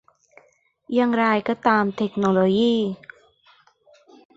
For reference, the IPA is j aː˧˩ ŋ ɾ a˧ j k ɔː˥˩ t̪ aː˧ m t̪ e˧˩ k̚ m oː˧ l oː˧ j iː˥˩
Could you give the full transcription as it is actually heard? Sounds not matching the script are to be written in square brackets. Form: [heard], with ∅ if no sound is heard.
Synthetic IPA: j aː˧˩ ŋ ɾ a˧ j k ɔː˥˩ t̪ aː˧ m [t̪ʰ] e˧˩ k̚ [n] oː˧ l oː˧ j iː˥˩

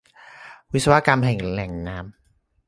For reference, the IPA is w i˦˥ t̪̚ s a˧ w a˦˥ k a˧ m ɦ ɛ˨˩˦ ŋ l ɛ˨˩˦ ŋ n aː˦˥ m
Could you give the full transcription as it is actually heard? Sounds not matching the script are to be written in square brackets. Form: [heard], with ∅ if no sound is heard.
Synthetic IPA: w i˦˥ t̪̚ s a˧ w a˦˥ k a˧ m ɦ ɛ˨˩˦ ŋ l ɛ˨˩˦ ŋ n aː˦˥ m

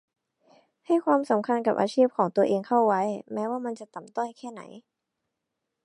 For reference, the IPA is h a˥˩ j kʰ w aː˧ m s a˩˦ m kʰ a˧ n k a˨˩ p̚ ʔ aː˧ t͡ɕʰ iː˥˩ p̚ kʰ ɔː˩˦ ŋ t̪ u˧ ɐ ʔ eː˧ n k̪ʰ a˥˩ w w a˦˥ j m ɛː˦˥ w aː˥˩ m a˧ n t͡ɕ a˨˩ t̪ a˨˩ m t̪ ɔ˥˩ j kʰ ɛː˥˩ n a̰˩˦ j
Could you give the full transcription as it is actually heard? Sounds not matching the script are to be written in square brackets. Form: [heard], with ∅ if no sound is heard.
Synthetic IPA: h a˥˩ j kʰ w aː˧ m s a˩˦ m kʰ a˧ n k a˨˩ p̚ ʔ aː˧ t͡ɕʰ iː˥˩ p̚ kʰ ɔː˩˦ ŋ t̪ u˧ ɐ ʔ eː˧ [ŋ] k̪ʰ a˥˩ w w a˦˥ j m ɛː˦˥ w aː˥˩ m a˧ n t͡ɕ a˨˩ t̪ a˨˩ m t̪ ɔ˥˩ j kʰ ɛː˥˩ n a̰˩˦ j

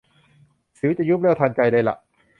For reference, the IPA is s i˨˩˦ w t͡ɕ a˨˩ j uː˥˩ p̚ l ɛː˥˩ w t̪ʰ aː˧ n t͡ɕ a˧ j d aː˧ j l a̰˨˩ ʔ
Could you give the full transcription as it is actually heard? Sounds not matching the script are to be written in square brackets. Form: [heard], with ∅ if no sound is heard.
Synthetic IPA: s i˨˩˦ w t͡ɕ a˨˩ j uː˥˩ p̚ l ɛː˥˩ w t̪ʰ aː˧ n t͡ɕ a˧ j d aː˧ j l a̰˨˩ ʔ

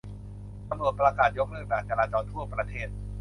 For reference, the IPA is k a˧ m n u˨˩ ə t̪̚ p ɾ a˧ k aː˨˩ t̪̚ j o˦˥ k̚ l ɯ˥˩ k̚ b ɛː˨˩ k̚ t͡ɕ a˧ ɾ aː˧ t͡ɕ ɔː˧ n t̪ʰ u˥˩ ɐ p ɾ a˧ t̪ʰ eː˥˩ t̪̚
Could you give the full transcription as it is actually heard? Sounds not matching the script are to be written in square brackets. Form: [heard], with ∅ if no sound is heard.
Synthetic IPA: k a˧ m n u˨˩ ə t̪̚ p ɾ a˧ k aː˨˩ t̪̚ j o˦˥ k̚ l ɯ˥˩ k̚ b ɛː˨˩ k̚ t͡ɕ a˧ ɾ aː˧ t͡ɕ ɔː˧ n t̪ʰ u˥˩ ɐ p ɾ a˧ t̪ʰ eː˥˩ t̪̚

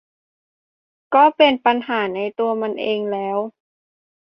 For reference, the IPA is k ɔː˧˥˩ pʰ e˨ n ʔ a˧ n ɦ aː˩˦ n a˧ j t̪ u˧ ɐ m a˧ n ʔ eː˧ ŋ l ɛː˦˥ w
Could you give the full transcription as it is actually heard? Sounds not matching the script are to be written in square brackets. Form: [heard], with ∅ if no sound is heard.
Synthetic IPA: k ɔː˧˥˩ [p] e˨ n [p] a˧ n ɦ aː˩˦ n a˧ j t̪ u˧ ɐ m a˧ n ʔ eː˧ ŋ l ɛː˦˥ w

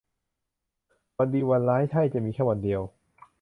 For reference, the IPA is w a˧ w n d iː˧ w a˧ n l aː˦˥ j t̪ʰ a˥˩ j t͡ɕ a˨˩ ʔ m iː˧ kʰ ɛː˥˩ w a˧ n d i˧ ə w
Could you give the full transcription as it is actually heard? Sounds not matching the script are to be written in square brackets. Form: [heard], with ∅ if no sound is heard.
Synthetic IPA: w a˧ [∅] n d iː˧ w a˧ n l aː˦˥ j t̪ʰ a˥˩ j t͡ɕ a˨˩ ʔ m iː˧ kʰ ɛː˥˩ w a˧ n d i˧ ə w

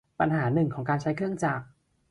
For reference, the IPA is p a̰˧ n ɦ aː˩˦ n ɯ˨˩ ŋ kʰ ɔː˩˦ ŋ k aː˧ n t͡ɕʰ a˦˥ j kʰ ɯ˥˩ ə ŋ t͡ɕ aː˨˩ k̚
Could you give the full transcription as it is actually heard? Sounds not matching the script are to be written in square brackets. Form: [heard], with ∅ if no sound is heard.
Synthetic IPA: p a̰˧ n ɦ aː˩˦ n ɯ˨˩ ŋ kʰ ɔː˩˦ ŋ k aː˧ n t͡ɕʰ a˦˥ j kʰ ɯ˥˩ ə ŋ t͡ɕ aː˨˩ k̚

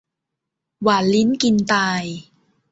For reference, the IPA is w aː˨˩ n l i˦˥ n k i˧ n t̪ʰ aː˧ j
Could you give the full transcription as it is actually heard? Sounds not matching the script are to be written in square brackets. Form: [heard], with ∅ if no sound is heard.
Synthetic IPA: w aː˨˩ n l i˦˥ n k i˧ n [t̪] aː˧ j

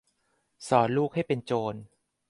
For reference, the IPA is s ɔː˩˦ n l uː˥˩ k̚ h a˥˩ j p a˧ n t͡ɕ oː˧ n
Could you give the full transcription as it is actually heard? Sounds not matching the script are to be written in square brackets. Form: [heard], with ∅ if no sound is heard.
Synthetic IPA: s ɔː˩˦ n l uː˥˩ k̚ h a˥˩ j p [e˧] n t͡ɕ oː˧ n

